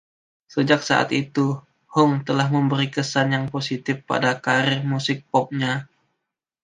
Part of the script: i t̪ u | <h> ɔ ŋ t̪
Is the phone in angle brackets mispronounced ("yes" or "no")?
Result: no